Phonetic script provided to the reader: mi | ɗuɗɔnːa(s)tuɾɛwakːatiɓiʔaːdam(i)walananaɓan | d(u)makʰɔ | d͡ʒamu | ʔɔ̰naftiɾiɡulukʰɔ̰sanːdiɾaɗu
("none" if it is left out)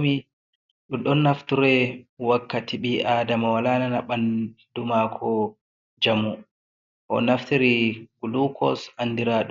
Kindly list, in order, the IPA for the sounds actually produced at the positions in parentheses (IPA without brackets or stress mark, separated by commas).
f, a, u